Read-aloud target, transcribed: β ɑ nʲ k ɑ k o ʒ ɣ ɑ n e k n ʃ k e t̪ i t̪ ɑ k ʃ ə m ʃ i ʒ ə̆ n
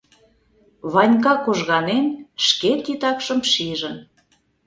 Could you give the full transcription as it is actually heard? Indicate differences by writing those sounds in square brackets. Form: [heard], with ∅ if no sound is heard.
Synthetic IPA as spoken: β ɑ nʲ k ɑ k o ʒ ɣ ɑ n e [∅] n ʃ k e t̪ i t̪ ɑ k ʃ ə m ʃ i ʒ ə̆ n